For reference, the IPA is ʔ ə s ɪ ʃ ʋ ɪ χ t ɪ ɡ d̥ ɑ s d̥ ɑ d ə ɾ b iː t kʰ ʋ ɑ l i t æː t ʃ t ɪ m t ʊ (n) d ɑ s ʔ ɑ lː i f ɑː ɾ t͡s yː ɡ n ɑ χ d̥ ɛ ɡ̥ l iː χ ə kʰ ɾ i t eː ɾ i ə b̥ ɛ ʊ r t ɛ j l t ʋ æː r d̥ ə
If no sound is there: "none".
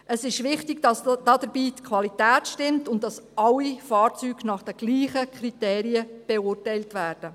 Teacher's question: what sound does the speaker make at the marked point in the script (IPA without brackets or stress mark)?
n